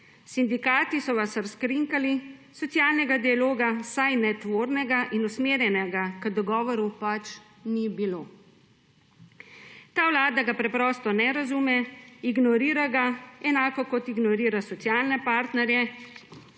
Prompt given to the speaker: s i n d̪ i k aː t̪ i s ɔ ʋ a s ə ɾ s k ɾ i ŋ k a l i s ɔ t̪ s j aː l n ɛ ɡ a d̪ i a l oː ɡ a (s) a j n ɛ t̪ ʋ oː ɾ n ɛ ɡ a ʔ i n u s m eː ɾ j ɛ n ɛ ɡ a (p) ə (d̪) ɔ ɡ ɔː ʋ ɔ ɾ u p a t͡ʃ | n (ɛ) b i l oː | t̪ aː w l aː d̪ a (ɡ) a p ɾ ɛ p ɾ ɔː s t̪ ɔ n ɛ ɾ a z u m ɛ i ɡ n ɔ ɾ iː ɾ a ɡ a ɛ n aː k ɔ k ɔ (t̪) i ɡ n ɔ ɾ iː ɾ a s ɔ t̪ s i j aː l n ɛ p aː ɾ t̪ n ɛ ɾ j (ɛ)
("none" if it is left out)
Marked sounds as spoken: s, k, d̪, i, ɡ, t̪, ɛ

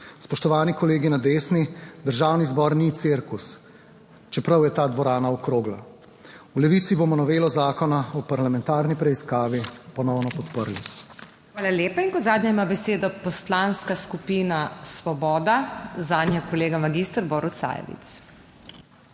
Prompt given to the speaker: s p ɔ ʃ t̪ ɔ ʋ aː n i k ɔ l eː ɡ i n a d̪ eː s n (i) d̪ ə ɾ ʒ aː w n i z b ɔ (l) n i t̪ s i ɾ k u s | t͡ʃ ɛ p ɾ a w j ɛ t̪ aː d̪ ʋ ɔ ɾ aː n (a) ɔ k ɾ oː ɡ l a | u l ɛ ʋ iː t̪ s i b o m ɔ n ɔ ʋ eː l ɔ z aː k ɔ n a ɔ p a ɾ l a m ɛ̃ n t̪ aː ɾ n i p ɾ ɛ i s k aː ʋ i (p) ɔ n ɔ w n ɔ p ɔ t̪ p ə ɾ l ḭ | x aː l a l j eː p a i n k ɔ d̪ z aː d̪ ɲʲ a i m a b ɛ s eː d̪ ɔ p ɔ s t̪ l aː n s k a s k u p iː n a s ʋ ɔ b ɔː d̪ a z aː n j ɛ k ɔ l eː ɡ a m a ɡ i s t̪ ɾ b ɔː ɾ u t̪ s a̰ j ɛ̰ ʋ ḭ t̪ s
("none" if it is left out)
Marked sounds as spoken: i, ɾ, a, p

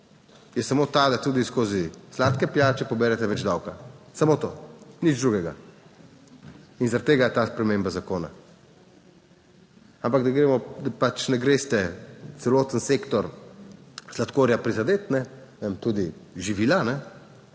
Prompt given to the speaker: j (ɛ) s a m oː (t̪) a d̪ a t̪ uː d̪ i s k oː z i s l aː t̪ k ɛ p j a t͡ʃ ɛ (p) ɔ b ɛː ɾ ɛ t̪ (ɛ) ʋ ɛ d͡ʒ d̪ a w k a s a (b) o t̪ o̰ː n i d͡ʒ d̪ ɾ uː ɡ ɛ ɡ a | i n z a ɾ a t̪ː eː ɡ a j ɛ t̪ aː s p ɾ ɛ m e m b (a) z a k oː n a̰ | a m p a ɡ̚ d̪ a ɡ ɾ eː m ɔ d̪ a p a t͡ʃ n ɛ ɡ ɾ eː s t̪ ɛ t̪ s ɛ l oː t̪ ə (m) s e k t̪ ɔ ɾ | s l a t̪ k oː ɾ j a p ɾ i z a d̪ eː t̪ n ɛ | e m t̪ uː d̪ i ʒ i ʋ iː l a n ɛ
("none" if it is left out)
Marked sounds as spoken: ɛ, t̪, p, ɛ, m, a, n

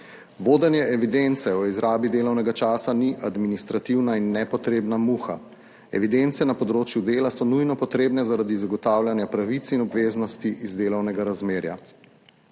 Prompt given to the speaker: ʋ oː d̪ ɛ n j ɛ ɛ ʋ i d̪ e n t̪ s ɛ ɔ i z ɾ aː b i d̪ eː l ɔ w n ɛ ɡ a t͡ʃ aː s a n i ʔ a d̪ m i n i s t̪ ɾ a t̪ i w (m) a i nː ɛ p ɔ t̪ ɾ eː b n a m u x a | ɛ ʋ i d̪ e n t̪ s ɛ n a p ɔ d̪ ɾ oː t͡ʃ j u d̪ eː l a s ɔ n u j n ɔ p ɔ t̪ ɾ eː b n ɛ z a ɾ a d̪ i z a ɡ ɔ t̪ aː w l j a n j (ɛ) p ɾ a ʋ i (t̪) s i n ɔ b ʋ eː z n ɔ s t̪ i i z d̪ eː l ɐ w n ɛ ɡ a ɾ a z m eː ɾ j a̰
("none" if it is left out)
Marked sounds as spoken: n, a, t̪

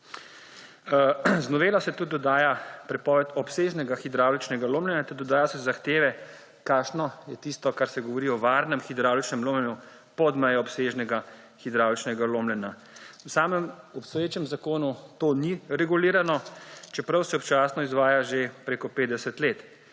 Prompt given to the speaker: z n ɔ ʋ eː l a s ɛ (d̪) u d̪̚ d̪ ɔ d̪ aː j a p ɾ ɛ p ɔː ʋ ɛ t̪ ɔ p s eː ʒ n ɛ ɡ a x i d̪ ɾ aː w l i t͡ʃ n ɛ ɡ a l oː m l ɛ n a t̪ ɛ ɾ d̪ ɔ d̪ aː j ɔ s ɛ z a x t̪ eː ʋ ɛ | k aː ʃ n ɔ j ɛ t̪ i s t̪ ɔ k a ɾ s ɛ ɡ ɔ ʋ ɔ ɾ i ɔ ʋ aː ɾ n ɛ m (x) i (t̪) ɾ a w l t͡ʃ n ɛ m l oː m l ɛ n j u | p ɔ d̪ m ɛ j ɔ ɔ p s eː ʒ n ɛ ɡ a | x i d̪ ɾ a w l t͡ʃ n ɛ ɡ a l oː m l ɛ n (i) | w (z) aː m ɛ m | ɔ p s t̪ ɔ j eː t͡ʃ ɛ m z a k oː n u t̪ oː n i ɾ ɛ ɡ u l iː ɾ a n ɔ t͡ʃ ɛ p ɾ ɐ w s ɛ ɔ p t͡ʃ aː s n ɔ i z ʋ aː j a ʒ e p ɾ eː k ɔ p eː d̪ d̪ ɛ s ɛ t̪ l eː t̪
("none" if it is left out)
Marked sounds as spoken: t̪, x, d̪, a, s

